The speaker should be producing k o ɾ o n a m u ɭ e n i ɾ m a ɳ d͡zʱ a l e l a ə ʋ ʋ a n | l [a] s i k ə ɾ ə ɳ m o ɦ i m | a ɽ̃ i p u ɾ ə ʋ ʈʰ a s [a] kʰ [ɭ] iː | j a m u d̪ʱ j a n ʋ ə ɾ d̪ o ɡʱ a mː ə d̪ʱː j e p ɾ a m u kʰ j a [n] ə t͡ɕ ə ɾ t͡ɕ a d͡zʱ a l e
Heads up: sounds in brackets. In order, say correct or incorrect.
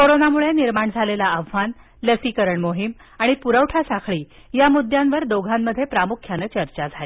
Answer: incorrect, correct, correct, correct

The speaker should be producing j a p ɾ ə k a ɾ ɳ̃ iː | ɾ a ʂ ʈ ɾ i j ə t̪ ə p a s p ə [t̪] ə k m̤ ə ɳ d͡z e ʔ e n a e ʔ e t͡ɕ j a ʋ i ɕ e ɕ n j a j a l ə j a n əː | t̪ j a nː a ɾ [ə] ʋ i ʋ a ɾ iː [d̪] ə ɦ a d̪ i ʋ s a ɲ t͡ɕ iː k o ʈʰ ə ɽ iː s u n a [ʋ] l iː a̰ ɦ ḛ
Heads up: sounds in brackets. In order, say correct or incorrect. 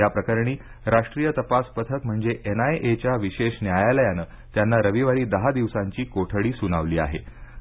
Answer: incorrect, correct, correct, correct

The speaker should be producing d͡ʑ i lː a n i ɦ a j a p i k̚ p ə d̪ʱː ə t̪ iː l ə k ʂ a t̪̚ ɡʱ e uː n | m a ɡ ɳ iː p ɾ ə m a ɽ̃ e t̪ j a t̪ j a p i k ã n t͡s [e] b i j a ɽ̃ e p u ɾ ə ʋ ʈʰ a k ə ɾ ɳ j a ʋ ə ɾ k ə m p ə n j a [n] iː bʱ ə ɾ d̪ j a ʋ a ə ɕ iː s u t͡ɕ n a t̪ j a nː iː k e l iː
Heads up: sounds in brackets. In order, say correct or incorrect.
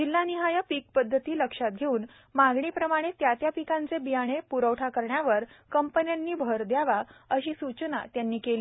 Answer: correct, incorrect

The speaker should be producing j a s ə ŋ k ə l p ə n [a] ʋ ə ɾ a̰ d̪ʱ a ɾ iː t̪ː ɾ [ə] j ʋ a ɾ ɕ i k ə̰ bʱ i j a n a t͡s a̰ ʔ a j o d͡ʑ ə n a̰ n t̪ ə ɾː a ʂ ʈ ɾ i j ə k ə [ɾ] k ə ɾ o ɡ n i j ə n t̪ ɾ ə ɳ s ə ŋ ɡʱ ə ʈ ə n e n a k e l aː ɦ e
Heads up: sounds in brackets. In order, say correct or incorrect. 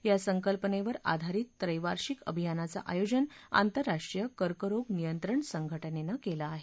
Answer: incorrect, correct, correct

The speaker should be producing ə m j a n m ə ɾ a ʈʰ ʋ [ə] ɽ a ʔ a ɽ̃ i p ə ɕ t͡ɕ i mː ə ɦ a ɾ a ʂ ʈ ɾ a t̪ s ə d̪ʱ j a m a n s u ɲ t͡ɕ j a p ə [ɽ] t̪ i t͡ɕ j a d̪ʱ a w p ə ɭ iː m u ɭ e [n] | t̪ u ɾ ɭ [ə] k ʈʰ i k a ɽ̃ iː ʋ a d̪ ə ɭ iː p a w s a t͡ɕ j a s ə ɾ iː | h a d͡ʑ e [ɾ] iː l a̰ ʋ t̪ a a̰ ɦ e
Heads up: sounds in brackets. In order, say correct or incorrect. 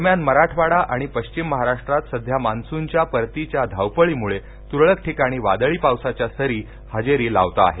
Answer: incorrect, incorrect, incorrect, correct, correct

